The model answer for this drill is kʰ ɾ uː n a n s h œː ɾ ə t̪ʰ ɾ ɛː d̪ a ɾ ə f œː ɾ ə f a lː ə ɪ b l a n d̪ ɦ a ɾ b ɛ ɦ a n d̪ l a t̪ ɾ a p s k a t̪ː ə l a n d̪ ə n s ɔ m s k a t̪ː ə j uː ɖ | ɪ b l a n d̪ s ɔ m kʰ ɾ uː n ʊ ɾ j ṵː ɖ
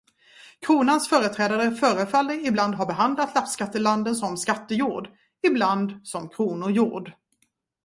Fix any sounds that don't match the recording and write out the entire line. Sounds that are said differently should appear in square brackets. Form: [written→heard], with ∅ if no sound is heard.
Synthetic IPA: kʰ ɾ uː n a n s [h→f] œː ɾ ə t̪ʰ ɾ ɛː d̪ a ɾ ə f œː ɾ ə f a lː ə ɪ b l a n d̪ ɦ a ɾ b ɛ ɦ a n d̪ l a t̪ [ɾ→l] a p s k a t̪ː ə l a n d̪ ə n s ɔ m s k a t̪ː ə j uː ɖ | ɪ b l a n d̪ s ɔ m kʰ ɾ uː n ʊ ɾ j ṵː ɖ